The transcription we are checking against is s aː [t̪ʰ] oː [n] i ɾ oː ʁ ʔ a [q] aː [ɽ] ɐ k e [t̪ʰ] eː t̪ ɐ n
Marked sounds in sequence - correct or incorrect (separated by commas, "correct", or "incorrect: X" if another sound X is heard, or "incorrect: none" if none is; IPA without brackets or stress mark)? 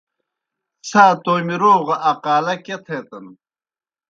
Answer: incorrect: t̪, incorrect: m, correct, incorrect: l, correct